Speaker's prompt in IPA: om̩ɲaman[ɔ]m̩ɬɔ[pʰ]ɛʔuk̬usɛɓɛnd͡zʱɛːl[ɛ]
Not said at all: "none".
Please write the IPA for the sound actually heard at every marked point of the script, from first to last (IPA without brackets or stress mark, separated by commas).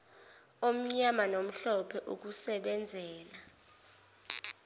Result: o, pʰ, a